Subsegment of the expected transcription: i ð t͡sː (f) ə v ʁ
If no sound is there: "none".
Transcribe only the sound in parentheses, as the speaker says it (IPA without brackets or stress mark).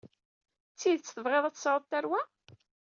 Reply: θ